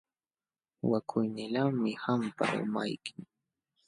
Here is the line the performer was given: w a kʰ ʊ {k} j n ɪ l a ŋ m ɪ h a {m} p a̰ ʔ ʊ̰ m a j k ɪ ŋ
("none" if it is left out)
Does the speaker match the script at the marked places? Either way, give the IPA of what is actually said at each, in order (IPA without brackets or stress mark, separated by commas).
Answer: none, m